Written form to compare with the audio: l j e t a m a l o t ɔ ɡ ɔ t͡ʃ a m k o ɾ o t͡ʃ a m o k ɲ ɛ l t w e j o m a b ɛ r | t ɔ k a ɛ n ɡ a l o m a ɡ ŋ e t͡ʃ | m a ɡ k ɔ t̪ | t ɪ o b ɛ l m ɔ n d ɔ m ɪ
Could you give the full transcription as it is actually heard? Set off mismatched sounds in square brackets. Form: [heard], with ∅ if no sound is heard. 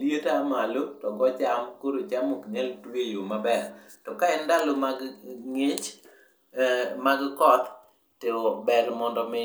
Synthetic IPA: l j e t a m a l o t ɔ ɡ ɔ t͡ʃ a m k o ɾ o t͡ʃ a m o k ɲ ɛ l t w e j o m a b ɛ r | t ɔ k a ɛ n [d] a l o m a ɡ ŋ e t͡ʃ | m a ɡ k ɔ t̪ | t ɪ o b ɛ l m ɔ n d ɔ m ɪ